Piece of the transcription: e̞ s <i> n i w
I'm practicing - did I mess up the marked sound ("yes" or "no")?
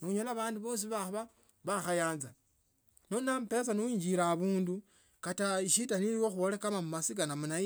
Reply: yes